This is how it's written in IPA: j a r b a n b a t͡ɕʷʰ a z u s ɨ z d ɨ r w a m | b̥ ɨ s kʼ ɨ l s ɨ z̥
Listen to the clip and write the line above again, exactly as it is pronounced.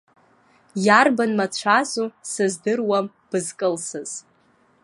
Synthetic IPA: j a r b a n m a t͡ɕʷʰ a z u s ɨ z d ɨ r w a m | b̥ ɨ z kʼ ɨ l s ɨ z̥